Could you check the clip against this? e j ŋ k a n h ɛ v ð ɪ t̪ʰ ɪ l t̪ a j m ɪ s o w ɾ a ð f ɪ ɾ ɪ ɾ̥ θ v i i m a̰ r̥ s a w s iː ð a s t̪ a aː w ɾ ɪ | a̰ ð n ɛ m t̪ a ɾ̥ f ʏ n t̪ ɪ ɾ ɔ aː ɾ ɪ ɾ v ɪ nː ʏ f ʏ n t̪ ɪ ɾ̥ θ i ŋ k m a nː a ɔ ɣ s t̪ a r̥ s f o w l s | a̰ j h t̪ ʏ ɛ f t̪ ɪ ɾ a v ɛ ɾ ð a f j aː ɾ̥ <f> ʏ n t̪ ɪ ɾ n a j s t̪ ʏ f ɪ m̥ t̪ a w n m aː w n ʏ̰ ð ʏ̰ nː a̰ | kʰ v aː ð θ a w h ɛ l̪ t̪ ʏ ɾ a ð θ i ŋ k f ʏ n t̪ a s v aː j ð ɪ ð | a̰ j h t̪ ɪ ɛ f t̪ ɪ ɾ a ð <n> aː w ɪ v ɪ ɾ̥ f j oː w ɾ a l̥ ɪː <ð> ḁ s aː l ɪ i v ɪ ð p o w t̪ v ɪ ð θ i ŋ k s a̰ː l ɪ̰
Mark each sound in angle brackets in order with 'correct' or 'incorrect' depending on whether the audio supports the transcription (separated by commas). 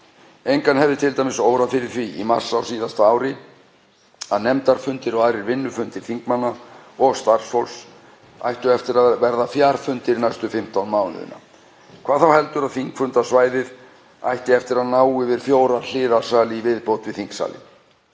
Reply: correct, correct, correct